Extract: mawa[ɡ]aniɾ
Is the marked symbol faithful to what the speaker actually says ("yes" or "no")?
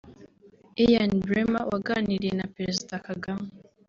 yes